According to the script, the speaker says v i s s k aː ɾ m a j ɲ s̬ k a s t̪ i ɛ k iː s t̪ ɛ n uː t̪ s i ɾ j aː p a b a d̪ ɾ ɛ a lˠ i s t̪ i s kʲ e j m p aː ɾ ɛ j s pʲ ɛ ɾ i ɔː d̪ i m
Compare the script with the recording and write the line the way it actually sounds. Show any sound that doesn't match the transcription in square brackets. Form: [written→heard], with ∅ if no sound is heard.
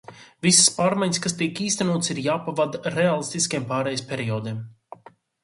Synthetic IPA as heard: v i s s [k→p] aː ɾ m a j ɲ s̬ k a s t̪ i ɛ k iː s t̪ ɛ n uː t̪ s i ɾ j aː p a [b→v] a d̪ ɾ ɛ a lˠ i s t̪ i s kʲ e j m p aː ɾ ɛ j s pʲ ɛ ɾ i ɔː d̪ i m